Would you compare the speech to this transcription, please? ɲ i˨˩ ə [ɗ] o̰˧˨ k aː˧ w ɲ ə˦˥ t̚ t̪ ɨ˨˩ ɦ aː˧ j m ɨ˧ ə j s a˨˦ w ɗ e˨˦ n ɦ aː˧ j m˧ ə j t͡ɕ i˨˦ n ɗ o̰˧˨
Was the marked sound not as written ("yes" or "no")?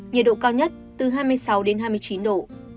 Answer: no